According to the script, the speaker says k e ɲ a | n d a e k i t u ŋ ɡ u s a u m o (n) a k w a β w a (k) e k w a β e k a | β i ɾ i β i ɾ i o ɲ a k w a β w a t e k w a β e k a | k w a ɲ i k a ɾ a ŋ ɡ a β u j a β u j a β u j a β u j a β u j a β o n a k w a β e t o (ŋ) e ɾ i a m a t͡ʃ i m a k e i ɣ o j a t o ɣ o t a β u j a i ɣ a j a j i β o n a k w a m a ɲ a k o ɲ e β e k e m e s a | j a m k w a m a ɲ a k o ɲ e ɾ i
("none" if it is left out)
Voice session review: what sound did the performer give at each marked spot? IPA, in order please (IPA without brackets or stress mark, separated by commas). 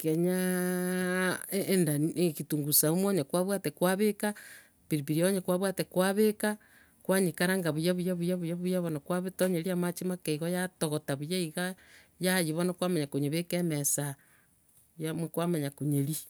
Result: ɲ, t, ɲ